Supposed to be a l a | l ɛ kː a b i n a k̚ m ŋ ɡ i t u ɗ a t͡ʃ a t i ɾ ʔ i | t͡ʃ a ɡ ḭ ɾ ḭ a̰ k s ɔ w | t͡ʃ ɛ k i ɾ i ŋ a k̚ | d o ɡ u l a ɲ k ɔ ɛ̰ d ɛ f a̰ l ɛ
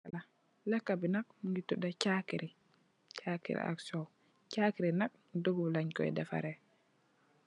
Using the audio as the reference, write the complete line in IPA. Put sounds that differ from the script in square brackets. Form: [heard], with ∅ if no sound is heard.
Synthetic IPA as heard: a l a | l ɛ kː a b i n a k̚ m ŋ ɡ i t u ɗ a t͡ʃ a [k] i ɾ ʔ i | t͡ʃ a [k] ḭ ɾ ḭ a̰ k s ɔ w | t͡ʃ [a] k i ɾ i [n] a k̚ | d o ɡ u l a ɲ k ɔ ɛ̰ d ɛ f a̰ [ɾ] ɛ